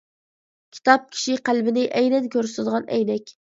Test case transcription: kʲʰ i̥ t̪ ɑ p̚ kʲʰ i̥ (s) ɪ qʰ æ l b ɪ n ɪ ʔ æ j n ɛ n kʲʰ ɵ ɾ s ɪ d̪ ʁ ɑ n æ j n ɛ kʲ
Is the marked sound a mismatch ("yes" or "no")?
yes